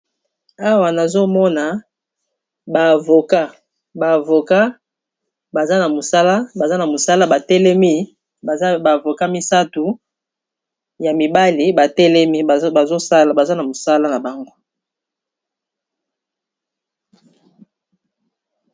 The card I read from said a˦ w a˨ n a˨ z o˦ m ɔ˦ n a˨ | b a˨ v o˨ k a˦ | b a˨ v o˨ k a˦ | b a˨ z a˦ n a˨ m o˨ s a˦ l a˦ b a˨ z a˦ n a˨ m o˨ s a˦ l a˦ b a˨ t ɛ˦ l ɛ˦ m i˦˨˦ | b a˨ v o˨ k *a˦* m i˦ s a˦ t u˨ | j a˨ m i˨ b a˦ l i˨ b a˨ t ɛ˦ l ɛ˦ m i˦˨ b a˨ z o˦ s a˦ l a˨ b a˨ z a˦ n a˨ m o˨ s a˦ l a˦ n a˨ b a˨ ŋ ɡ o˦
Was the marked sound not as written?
no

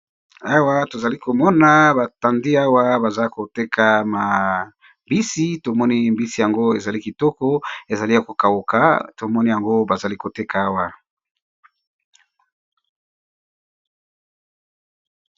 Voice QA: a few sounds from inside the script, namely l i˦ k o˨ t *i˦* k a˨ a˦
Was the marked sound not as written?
yes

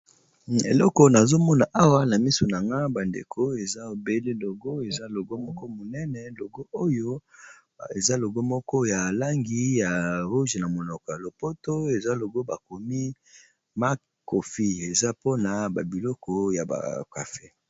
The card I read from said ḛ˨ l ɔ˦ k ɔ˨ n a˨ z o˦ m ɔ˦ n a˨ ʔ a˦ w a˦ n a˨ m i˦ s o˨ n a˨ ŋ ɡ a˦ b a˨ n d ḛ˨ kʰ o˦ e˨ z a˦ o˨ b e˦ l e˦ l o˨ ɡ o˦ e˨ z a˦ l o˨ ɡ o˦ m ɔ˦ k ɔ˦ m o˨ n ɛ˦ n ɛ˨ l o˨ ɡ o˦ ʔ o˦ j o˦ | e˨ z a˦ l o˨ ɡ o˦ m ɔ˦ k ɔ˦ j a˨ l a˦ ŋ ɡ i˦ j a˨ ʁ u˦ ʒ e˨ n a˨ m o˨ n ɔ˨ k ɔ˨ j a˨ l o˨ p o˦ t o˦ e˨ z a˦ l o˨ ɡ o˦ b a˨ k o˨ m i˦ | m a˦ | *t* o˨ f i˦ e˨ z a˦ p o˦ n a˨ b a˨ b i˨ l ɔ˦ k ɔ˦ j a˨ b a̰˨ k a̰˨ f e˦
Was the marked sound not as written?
yes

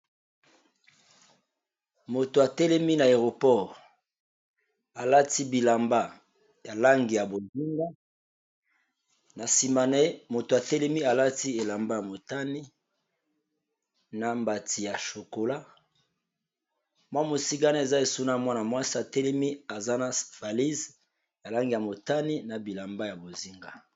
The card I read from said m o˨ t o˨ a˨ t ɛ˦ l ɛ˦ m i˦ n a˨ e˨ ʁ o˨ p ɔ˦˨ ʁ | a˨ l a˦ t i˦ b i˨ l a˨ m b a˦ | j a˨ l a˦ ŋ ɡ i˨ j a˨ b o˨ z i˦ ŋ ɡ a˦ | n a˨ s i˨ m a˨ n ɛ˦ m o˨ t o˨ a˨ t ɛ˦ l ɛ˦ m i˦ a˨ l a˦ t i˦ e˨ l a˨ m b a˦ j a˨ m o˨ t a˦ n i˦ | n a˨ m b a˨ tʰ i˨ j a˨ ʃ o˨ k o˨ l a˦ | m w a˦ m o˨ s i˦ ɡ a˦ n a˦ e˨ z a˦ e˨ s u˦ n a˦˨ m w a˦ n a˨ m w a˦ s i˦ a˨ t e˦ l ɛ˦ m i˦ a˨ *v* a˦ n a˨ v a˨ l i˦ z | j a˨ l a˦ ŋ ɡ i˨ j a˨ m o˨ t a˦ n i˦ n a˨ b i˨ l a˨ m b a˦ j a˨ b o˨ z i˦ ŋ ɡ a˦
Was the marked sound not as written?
yes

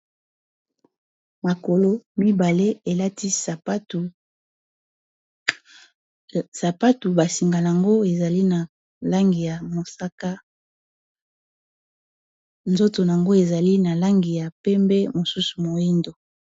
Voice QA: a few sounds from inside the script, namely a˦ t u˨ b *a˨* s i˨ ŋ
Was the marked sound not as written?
no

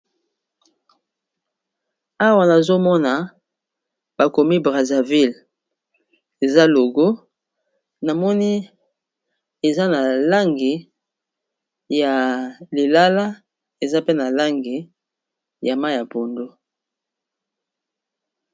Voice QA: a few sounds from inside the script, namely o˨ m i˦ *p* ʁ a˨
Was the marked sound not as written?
yes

